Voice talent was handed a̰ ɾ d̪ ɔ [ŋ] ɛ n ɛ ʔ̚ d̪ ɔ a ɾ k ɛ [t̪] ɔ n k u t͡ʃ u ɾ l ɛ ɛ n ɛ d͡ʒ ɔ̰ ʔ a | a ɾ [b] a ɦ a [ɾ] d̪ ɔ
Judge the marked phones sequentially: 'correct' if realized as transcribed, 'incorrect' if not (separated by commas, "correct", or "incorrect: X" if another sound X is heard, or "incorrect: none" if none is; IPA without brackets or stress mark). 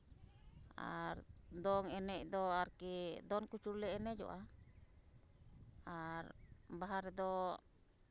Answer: correct, incorrect: d̪, correct, correct